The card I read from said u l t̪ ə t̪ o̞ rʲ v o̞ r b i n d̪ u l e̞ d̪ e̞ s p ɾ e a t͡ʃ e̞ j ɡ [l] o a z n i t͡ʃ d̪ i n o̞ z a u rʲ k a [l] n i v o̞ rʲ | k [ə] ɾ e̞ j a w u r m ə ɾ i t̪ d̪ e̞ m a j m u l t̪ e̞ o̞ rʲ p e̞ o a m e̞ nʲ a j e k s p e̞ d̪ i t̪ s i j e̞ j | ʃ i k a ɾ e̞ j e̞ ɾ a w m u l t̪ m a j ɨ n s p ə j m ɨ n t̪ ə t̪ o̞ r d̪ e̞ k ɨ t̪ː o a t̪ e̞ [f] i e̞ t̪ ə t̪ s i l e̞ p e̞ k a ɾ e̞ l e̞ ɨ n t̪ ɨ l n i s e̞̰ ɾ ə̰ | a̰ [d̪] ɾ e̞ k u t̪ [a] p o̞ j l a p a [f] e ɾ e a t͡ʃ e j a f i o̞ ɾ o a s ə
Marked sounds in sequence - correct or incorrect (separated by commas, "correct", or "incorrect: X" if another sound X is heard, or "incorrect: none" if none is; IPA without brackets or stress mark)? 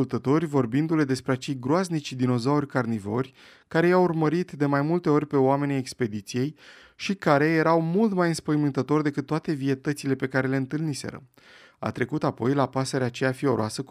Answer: incorrect: ɾ, incorrect: r, incorrect: a, incorrect: v, incorrect: t̪, correct, incorrect: s